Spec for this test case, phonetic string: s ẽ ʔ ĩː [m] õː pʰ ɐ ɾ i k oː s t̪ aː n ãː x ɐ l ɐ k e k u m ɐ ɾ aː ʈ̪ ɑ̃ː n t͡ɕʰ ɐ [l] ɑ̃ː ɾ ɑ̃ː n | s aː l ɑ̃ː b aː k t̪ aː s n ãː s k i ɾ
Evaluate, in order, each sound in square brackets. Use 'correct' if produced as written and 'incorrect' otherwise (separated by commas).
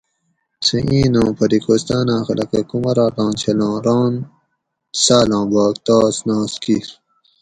incorrect, correct